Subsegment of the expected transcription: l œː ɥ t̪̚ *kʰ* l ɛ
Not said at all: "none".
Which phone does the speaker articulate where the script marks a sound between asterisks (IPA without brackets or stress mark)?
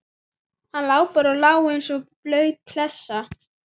kʰ